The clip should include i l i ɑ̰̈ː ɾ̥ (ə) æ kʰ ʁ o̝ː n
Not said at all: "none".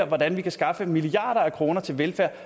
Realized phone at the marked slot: ɐ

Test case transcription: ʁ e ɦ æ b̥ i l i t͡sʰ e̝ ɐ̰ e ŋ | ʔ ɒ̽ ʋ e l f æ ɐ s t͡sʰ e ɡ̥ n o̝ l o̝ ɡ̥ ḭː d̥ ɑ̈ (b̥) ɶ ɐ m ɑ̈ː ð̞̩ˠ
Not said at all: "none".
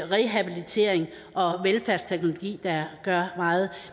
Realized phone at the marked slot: ɡ̥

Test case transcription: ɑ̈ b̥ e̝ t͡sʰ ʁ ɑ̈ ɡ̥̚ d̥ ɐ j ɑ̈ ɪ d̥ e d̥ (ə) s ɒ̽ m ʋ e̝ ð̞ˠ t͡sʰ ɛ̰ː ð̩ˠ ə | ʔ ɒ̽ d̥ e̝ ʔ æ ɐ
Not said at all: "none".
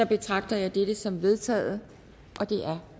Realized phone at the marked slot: ə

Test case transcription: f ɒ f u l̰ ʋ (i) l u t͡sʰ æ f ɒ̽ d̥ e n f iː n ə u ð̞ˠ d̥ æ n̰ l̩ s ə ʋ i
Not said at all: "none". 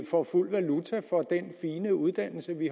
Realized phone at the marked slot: æ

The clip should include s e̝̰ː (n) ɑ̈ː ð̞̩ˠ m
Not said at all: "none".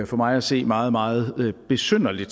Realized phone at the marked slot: m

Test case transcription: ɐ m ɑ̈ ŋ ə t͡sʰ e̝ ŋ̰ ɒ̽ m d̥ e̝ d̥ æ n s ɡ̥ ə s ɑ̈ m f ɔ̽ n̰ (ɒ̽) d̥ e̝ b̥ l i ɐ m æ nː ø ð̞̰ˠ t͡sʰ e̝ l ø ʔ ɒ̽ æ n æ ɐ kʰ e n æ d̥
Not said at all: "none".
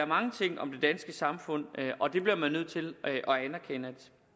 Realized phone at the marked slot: ɒ̽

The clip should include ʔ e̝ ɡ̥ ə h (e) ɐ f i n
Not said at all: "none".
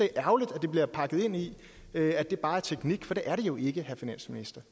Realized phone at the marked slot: æ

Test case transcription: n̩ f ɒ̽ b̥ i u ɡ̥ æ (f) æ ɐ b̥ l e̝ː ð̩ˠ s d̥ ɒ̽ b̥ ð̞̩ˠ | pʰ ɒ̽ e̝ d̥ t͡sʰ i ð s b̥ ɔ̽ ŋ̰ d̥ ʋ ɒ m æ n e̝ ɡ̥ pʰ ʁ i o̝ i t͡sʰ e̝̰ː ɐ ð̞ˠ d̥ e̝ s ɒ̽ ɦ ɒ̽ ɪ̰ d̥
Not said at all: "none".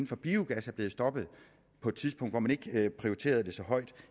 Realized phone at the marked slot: s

